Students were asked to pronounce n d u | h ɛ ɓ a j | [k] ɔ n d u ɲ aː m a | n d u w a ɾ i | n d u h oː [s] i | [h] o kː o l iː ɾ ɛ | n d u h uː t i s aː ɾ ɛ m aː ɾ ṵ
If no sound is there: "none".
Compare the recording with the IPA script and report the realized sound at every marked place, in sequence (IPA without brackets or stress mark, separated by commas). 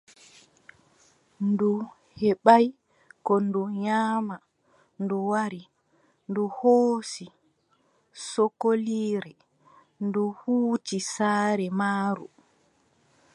k, s, s